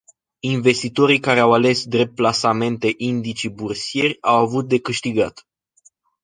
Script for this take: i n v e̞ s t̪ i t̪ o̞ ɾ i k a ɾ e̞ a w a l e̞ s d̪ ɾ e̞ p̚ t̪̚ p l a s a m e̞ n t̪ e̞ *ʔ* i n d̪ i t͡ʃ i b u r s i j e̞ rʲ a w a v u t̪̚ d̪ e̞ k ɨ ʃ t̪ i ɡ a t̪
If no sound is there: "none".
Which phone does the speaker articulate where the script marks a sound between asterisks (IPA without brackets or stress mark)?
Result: ʔ